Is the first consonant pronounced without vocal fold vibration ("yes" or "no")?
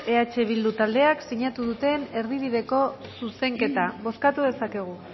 yes